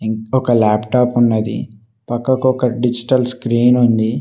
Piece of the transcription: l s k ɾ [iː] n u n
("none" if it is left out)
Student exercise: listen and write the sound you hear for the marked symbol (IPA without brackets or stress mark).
iː